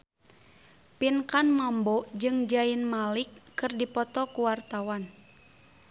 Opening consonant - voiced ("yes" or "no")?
no